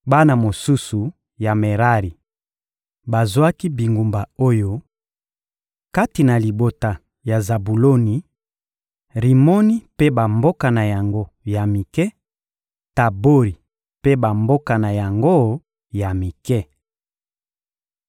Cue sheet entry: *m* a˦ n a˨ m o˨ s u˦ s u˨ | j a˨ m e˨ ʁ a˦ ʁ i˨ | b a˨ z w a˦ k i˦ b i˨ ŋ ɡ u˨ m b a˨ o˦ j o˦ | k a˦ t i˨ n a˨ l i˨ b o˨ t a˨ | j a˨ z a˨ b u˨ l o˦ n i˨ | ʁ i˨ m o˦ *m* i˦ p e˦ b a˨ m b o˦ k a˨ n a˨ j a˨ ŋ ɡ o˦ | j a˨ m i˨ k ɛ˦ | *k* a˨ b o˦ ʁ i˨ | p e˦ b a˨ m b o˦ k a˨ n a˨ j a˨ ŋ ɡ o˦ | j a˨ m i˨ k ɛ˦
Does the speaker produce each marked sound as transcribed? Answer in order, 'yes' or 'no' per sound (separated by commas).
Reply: no, no, no